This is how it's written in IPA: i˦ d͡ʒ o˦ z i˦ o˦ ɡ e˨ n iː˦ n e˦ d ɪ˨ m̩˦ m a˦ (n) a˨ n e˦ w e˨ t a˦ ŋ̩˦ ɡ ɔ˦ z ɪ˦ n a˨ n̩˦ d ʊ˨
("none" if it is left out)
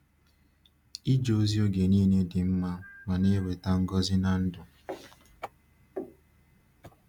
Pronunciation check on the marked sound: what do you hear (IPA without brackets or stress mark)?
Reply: m